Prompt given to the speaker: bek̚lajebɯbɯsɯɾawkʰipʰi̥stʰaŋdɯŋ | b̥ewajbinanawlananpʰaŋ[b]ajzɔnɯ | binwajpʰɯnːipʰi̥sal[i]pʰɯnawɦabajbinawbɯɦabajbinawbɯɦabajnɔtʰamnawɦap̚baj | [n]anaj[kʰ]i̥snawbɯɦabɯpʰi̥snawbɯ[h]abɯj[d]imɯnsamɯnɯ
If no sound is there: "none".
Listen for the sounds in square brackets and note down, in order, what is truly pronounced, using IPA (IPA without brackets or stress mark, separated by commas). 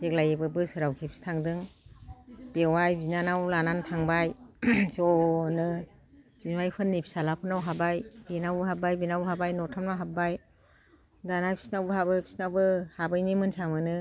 b, a, d, pʰ, h, n